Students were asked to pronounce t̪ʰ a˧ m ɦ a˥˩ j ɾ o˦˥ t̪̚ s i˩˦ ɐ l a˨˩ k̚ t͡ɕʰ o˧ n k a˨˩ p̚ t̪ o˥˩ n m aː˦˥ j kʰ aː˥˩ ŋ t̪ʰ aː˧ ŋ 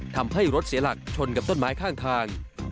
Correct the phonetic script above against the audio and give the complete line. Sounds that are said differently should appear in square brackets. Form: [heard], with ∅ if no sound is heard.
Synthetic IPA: t̪ʰ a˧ m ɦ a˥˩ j ɾ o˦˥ t̪̚ s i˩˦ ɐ l a˨˩ k̚ t͡ɕʰ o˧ n k a˨˩ p̚ t̪ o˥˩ n m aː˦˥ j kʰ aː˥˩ ŋ t̪ʰ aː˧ ŋ